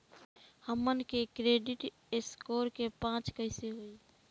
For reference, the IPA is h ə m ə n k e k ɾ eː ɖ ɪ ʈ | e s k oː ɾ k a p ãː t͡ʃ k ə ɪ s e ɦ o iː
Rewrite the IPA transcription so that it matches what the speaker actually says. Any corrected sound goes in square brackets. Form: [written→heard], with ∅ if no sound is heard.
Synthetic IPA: h ə m ə n k e k ɾ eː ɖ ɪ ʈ | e s k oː ɾ k [a→e] p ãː t͡ʃ k ə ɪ s e ɦ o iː